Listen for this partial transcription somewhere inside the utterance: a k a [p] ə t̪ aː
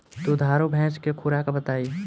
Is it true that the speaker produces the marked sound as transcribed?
no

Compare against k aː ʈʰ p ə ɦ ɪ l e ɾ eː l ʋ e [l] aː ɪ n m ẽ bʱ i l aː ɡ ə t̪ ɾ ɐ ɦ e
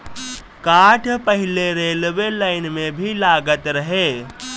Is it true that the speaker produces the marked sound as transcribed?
yes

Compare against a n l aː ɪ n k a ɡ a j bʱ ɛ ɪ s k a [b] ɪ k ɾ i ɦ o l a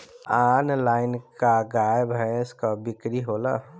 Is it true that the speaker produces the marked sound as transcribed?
yes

